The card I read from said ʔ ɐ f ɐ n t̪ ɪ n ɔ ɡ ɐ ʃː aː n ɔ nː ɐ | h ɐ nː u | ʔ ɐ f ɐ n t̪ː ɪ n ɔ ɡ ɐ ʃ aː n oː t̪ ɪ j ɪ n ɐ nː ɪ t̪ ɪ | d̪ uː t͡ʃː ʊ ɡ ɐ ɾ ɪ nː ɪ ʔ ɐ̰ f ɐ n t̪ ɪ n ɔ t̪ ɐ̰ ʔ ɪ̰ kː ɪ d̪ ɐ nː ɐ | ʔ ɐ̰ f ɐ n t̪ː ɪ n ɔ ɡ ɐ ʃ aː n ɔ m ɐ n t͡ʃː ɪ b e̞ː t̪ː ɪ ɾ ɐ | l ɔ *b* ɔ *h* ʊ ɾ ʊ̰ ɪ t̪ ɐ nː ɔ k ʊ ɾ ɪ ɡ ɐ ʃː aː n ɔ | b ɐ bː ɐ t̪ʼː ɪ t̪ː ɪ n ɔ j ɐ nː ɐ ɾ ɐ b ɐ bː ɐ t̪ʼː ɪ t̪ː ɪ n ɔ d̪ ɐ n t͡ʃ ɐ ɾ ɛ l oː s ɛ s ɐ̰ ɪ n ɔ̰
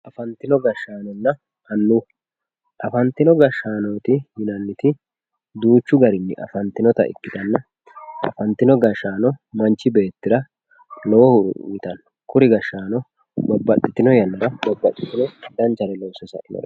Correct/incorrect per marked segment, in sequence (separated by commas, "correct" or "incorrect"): incorrect, correct